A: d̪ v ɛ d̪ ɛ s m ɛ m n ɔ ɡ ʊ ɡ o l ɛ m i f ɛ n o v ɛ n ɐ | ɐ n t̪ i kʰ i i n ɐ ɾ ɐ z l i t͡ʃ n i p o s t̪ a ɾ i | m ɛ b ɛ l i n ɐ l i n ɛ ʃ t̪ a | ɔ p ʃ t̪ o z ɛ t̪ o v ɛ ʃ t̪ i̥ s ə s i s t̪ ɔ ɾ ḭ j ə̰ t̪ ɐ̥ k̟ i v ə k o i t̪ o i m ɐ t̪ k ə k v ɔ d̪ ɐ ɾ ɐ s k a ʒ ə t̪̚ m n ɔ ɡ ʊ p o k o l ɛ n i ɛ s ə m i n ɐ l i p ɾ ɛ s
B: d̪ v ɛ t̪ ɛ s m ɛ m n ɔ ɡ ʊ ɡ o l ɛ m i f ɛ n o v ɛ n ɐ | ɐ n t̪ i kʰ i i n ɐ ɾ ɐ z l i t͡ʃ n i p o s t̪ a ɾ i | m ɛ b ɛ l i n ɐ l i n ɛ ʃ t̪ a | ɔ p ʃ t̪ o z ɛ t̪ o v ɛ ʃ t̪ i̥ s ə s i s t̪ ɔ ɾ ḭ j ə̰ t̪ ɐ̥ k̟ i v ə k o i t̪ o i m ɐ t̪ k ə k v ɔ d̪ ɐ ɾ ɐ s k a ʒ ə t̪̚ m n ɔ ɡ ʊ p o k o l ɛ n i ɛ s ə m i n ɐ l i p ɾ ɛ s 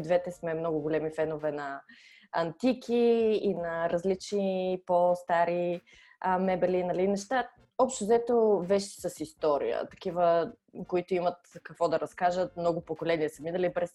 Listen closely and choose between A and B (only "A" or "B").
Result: B